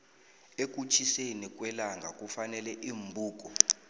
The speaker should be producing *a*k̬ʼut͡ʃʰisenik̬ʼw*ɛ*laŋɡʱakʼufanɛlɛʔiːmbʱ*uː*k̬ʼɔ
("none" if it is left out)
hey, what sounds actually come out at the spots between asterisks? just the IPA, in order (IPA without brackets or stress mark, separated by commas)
e, ɛ, uː